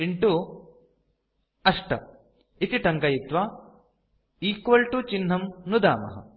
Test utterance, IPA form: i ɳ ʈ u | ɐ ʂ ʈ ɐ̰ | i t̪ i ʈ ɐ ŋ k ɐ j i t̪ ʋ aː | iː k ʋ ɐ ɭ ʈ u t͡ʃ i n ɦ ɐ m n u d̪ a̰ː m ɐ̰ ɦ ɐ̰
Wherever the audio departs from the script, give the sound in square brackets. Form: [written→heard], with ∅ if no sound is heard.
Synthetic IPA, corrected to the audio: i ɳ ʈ u | ɐ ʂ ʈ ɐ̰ | i t̪ i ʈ ɐ ŋ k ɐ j i t̪ ʋ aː | iː k ʋ ɐ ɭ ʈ u t͡ʃ i n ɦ ɐ m n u d̪ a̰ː m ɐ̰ ɦ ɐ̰

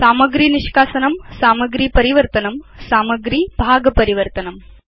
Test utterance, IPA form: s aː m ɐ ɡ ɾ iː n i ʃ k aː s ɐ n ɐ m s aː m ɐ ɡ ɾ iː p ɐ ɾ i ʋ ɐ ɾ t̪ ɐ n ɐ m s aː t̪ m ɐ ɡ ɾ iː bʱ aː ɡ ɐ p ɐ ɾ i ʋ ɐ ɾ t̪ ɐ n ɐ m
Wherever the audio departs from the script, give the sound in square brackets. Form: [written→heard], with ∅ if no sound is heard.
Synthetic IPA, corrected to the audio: s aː m ɐ ɡ ɾ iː n i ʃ k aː s ɐ n ɐ m s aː m ɐ ɡ ɾ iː p ɐ ɾ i ʋ ɐ ɾ t̪ ɐ n ɐ m s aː [t̪→∅] m ɐ ɡ ɾ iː bʱ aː ɡ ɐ p ɐ ɾ i ʋ ɐ ɾ t̪ ɐ n ɐ m

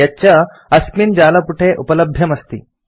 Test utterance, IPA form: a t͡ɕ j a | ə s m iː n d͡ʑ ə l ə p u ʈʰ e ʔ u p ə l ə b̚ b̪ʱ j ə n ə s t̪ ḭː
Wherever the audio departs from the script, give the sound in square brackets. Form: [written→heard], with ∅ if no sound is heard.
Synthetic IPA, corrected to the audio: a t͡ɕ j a | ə s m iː n d͡ʑ [ə→a] l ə p u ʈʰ e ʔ u p ə l ə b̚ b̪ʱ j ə [n→m] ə s t̪ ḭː

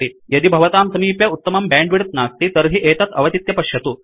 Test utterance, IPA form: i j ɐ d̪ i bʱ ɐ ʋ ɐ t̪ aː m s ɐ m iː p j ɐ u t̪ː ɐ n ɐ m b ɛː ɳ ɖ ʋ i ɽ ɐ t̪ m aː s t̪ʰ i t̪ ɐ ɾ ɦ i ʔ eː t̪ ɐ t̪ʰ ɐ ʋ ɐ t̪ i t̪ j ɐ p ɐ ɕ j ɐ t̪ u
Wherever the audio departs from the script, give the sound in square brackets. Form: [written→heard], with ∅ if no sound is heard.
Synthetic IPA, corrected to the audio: i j ɐ d̪ i bʱ ɐ ʋ ɐ t̪ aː m s ɐ m iː p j ɐ u t̪ː ɐ [n→m] ɐ m b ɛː ɳ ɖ ʋ i ɽ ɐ t̪ [m→n] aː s [t̪ʰ→t̪] i t̪ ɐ ɾ ɦ i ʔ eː t̪ ɐ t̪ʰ ɐ ʋ ɐ t̪ i t̪ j ɐ p ɐ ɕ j ɐ t̪ u

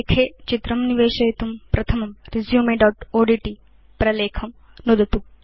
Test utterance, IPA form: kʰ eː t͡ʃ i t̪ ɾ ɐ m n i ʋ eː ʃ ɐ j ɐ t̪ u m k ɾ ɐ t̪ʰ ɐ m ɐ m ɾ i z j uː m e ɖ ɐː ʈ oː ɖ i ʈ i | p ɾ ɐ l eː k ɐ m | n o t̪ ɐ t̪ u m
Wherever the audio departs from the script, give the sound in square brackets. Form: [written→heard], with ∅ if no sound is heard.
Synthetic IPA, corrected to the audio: kʰ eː t͡ʃ i t̪ ɾ ɐ m n i ʋ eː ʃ ɐ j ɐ t̪ u m [k→p] ɾ ɐ t̪ʰ ɐ m ɐ m ɾ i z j uː m e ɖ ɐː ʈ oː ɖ i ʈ i | p ɾ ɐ l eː [k→kʰ] ɐ m | n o [t̪→d̪] ɐ t̪ u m

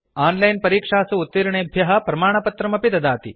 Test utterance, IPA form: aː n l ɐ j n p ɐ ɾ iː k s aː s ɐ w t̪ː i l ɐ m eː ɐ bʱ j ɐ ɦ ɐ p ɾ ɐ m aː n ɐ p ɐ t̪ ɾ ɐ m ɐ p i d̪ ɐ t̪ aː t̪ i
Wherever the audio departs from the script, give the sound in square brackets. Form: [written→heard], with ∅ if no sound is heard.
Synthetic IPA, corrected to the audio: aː n l ɐ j n p ɐ ɾ iː k [s→ʂ] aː s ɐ [w→u] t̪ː i [l→ɾ] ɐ [m→ɳ] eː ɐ bʱ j ɐ ɦ ɐ p ɾ ɐ m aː [n→ɳ] ɐ p ɐ t̪ ɾ ɐ m ɐ p i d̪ ɐ [t̪→d̪] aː t̪ i

